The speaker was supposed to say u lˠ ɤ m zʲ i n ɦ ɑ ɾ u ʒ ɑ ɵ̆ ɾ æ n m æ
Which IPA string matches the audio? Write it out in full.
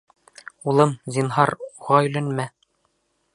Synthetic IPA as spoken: u lˠ ɤ m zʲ i n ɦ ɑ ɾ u ʁ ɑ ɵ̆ l æ n m æ